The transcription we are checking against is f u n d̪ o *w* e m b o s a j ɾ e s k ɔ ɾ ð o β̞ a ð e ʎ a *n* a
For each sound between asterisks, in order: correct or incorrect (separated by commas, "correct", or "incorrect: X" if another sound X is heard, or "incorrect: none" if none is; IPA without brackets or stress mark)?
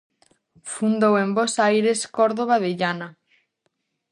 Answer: correct, correct